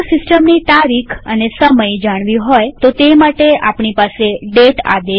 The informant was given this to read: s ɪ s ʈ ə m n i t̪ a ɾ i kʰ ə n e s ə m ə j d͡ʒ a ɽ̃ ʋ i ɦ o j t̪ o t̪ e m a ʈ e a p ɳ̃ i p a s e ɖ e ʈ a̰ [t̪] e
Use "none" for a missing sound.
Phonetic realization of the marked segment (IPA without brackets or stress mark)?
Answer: d̪